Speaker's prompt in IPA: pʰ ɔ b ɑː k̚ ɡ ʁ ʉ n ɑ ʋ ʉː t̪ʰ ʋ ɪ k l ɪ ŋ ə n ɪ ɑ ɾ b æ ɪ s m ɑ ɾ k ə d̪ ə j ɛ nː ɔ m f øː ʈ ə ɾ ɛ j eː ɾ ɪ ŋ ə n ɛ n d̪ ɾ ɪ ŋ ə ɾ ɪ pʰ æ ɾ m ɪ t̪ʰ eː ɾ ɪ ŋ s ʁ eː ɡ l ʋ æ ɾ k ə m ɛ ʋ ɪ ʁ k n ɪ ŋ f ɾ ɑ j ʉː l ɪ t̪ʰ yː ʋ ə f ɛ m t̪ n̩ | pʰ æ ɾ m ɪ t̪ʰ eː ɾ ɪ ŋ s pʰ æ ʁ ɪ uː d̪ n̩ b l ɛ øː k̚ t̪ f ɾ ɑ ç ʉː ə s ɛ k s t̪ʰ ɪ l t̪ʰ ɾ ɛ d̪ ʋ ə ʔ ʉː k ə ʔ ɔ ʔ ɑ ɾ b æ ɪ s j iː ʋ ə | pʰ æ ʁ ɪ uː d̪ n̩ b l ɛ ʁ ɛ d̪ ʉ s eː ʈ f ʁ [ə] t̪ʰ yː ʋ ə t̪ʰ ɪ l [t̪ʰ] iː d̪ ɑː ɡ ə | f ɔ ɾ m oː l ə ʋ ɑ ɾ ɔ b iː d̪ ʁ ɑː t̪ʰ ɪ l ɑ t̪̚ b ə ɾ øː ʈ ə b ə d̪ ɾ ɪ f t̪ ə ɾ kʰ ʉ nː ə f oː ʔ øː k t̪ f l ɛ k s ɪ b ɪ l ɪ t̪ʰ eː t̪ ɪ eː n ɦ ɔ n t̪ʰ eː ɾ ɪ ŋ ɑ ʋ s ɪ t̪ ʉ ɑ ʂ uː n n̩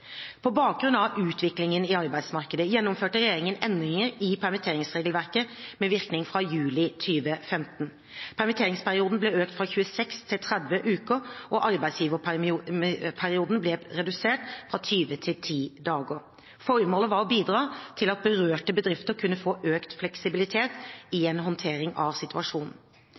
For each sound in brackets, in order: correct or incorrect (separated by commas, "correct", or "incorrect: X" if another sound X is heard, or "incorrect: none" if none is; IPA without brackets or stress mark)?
incorrect: ɑ, correct